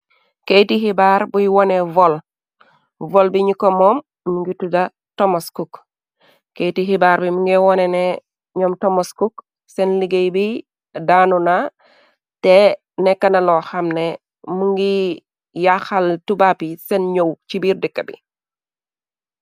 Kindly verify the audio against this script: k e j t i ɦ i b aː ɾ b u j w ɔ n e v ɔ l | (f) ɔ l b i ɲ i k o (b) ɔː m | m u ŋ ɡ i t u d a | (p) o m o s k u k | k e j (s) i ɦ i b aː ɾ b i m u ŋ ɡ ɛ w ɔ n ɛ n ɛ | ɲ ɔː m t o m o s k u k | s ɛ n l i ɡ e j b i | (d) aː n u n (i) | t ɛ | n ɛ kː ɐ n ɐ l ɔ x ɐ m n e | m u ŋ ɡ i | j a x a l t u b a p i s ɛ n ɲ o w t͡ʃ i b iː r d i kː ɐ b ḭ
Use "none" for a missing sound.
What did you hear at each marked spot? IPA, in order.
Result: v, m, t, t, d, a

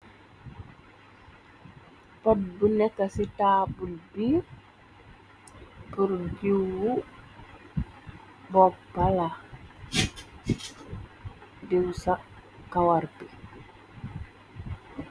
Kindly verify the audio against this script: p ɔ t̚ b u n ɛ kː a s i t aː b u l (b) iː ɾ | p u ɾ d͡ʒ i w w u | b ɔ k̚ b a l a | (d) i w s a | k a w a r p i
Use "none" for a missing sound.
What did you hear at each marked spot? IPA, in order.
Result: b, d

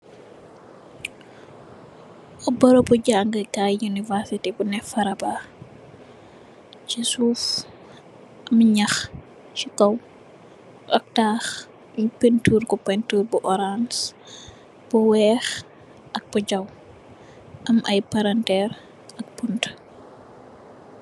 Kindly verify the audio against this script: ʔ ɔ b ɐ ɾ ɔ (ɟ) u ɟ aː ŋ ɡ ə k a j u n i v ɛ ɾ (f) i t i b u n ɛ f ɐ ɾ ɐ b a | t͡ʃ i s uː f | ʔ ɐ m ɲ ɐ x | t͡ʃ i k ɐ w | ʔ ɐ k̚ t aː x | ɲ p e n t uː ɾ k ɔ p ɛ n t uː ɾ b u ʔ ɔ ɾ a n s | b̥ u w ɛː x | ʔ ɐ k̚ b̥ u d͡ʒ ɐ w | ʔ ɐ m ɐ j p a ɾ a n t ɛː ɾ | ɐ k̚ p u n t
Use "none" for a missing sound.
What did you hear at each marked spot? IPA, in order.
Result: b, s

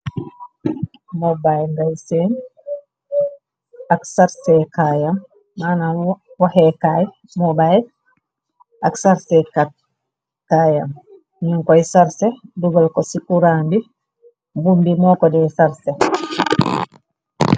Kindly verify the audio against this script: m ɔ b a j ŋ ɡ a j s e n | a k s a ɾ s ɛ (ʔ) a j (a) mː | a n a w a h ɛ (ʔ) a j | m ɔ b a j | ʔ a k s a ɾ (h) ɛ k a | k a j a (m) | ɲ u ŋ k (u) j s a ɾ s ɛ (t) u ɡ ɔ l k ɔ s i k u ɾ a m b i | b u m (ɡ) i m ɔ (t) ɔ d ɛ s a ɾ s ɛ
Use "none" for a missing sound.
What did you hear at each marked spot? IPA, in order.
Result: k, a, k, s, m, ɔ, d, b, k

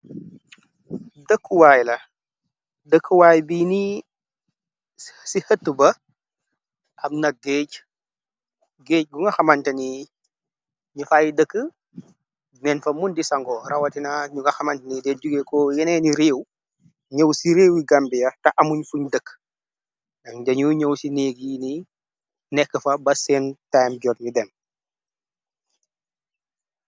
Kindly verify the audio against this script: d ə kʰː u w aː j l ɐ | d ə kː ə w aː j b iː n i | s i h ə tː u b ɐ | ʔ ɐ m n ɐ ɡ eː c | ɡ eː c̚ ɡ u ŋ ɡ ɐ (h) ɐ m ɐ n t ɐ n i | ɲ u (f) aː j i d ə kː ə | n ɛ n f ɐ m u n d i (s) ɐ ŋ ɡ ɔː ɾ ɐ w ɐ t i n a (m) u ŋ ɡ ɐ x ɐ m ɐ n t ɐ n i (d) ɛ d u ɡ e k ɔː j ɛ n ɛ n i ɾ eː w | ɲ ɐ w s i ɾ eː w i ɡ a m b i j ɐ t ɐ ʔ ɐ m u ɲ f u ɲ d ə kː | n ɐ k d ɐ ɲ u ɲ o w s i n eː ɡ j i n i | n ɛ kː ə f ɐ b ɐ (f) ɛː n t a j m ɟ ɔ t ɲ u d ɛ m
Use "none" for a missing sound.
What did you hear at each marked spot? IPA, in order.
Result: x, f, s, ɲ, d, s

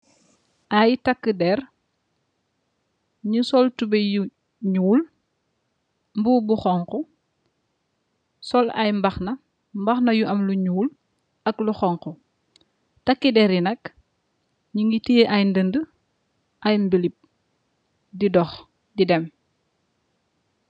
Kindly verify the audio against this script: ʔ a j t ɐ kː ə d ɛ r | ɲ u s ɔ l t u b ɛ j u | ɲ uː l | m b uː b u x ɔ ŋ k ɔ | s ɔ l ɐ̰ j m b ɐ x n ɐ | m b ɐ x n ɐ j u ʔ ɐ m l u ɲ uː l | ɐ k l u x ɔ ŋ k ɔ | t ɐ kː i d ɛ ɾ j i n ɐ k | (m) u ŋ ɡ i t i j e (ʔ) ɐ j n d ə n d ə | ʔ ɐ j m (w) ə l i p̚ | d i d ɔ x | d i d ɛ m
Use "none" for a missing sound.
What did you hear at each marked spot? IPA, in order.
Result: ɲ, ʔ, b

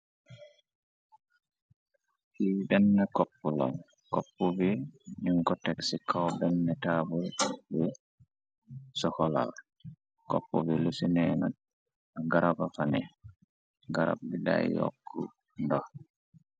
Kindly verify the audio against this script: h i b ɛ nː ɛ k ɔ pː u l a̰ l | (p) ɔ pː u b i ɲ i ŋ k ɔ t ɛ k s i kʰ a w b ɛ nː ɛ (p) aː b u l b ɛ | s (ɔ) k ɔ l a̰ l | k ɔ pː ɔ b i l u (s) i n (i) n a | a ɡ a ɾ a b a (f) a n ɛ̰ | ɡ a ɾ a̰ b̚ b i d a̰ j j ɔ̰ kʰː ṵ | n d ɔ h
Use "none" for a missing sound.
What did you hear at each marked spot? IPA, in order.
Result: k, t, ɔ, s, ɛ, f

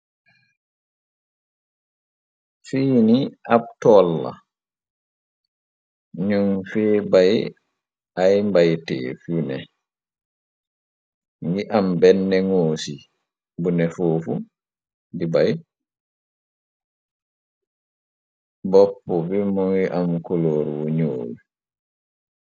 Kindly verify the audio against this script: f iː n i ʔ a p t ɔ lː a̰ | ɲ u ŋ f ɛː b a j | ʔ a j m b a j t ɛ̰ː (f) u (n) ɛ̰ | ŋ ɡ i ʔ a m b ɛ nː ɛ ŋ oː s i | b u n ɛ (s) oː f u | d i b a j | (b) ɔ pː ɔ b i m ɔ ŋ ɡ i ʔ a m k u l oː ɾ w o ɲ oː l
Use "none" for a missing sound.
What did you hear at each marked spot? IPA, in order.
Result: f, n, f, b

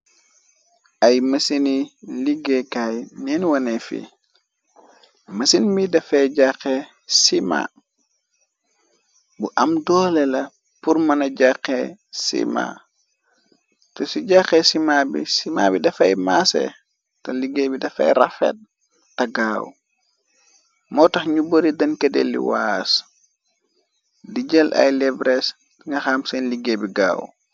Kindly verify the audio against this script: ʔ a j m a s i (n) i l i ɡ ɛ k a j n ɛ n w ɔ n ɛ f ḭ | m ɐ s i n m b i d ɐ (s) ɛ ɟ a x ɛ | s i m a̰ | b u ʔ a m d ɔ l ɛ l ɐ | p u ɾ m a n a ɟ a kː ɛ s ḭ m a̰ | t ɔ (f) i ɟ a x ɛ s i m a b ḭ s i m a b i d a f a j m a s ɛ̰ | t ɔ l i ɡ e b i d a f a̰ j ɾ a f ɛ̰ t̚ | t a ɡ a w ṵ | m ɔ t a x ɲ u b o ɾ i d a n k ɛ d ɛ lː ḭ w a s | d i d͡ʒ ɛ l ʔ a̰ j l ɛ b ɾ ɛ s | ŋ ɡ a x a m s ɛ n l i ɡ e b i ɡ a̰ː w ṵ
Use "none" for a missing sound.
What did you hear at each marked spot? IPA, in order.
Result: n, f, s

